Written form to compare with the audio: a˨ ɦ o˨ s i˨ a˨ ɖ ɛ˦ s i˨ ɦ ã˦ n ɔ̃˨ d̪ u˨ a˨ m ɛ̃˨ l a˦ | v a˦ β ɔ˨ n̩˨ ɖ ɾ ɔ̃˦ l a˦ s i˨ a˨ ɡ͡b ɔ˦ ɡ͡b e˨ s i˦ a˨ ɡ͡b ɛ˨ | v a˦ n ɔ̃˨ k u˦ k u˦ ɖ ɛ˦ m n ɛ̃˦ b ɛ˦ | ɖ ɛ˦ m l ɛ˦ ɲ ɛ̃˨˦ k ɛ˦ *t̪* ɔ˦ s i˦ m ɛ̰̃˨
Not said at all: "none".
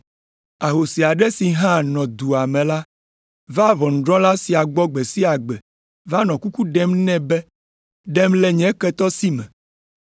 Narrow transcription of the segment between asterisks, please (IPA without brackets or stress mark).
t̪